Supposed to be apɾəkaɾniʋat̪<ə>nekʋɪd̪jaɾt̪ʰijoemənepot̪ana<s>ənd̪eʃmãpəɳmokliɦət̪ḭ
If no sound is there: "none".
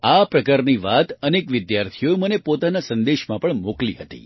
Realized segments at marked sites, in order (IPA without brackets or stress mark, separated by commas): ə, s